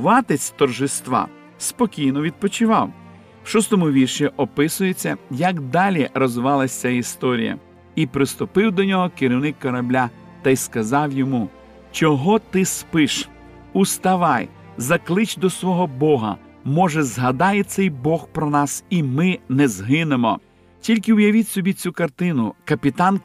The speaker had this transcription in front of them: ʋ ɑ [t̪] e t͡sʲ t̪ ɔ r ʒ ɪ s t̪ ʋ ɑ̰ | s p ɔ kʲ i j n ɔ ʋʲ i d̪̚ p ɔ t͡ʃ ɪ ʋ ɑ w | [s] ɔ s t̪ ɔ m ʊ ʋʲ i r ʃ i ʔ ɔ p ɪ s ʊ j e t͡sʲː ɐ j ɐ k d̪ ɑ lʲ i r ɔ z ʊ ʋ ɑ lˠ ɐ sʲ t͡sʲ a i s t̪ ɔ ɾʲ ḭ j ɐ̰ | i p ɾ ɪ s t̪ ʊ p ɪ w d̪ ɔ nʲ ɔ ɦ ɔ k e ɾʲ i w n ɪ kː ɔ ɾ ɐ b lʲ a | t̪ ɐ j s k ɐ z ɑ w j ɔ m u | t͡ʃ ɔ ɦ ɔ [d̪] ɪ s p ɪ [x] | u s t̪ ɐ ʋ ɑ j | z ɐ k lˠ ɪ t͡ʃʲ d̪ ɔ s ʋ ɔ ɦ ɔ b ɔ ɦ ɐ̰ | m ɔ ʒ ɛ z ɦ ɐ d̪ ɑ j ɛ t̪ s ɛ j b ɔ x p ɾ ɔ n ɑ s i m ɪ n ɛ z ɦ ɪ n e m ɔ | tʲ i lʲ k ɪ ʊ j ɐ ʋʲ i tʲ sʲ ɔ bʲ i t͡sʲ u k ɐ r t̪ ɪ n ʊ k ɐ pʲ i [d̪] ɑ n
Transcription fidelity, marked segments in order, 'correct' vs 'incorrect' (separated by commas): correct, incorrect, incorrect, incorrect, incorrect